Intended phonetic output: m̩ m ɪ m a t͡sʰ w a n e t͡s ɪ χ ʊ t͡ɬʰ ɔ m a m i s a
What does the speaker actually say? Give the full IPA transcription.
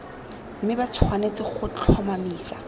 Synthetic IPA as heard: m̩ m ɪ b a t͡sʰ w a n e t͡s ɪ χ ʊ t͡ɬʰ ɔ m a m iː s a